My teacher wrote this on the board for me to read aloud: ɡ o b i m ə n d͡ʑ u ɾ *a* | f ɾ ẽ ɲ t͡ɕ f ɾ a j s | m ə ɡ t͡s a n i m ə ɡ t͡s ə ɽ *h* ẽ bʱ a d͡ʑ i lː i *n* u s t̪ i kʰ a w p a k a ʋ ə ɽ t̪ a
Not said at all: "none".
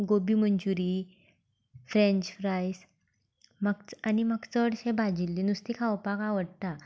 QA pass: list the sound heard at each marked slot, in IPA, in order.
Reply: i, ɕ, n

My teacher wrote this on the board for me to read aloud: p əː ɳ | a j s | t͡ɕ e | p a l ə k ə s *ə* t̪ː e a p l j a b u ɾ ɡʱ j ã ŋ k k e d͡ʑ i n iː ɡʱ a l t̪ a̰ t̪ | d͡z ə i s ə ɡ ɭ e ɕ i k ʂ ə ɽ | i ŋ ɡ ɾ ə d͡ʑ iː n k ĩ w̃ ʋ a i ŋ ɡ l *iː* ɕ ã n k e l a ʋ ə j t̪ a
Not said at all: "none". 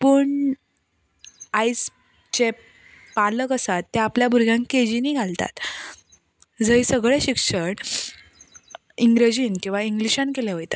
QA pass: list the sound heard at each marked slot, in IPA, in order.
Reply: a, i

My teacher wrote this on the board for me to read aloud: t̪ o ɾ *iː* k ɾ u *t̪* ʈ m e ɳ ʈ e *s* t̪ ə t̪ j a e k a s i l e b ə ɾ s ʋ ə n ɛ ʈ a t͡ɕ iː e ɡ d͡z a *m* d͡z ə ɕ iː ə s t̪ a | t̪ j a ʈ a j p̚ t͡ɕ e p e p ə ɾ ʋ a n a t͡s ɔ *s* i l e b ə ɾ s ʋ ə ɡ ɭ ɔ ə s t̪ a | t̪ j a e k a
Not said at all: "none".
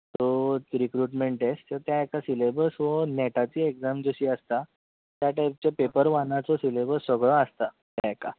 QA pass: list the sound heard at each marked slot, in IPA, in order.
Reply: i, none, s, m, s

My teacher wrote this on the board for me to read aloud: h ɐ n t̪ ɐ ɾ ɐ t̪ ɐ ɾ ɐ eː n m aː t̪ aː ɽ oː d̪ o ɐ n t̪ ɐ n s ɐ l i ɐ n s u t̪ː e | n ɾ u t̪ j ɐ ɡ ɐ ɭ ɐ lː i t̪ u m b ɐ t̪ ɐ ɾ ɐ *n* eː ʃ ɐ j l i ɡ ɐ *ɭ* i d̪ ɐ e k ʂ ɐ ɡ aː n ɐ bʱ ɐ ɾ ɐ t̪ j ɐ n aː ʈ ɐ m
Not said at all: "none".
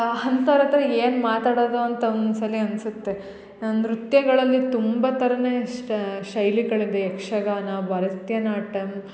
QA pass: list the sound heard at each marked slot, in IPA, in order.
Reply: n, ɭ

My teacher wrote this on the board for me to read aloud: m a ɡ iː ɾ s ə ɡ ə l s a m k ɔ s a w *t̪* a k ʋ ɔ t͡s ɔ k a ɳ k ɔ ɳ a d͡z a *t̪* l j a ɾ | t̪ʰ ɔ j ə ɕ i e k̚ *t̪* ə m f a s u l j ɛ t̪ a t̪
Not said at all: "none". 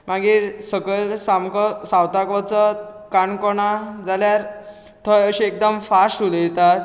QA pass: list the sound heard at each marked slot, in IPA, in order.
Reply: t̪, none, d̪

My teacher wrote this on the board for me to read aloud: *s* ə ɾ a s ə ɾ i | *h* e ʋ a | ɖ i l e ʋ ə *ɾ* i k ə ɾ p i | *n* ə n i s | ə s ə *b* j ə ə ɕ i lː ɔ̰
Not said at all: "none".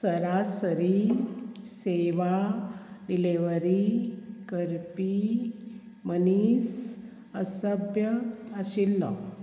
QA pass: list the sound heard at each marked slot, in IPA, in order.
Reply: s, s, ɾ, m, b

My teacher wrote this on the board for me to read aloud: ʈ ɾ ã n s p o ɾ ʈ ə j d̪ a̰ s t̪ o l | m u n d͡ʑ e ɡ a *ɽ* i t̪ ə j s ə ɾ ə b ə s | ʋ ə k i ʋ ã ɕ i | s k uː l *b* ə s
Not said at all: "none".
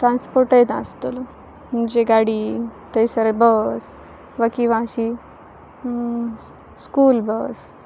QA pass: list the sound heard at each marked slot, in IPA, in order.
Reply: ɽ, b

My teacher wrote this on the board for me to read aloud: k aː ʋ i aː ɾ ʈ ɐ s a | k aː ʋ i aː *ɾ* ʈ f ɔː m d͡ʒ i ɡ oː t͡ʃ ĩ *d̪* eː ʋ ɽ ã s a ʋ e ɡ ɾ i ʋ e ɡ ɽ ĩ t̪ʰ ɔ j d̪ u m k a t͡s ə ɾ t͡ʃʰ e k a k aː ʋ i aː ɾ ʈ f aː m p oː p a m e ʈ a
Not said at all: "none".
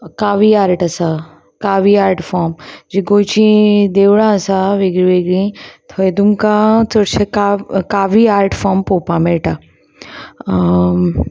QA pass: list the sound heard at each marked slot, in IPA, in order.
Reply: ɾ, d̪

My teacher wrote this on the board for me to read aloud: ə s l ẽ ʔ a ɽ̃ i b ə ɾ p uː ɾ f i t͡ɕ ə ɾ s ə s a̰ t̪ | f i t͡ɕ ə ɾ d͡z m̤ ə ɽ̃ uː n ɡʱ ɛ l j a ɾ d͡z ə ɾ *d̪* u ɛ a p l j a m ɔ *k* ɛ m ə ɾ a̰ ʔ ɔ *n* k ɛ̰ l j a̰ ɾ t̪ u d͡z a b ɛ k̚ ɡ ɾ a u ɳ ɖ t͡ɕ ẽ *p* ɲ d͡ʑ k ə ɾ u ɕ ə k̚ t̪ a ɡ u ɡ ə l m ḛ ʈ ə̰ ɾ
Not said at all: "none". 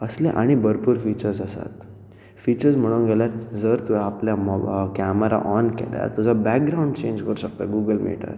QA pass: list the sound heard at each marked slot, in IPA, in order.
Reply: t̪, k, n, none

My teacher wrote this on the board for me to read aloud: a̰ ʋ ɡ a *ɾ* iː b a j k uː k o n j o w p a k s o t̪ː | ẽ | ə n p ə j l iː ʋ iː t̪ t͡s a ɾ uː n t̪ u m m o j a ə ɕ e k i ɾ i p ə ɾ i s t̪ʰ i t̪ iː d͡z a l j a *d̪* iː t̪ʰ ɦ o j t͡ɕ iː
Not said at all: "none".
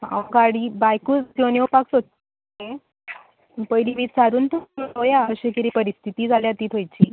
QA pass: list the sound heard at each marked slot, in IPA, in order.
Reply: ɽ, t̪

